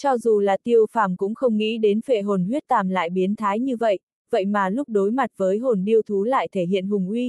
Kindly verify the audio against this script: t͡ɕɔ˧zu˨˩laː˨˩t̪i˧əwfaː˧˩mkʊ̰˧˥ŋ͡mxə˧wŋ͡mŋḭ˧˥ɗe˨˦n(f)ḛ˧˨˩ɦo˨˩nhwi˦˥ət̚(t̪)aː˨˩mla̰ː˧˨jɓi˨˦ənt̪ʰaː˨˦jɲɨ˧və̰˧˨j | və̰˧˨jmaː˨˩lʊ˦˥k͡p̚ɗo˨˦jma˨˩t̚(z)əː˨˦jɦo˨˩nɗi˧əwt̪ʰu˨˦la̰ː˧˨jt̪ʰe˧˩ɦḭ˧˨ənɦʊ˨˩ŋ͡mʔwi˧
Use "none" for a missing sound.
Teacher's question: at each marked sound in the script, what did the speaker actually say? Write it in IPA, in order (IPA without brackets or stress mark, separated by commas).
f, t̪, v